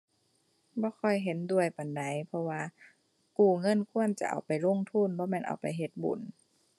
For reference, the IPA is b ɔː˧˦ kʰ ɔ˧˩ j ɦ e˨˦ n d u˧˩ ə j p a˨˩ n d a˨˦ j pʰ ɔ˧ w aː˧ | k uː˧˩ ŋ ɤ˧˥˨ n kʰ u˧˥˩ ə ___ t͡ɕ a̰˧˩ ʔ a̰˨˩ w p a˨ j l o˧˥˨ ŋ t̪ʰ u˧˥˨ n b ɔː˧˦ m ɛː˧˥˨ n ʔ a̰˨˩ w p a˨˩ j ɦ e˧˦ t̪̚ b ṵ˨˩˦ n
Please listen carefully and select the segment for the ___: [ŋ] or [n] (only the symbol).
n